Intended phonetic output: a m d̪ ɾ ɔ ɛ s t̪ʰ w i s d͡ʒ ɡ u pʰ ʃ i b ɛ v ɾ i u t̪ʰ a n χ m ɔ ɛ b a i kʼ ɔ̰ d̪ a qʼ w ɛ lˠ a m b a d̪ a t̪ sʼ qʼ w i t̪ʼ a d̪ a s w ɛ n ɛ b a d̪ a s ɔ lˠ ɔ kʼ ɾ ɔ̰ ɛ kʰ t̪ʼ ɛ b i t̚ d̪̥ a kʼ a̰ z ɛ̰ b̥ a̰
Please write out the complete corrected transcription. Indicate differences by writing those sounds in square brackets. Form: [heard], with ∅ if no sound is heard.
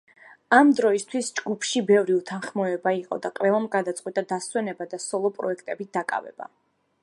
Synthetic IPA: a m d̪ ɾ ɔ [i] s t̪ʰ w i s d͡ʒ ɡ u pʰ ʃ i b ɛ v ɾ i u t̪ʰ a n χ m ɔ ɛ b a i [qʼ] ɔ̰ d̪ a qʼ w ɛ lˠ a m [ɡ] a d̪ a t̪ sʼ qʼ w i t̪ʼ a d̪ a s w ɛ n ɛ b a d̪ a s ɔ lˠ ɔ [pʼ] ɾ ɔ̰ ɛ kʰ t̪ʼ ɛ b i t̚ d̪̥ a kʼ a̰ [v] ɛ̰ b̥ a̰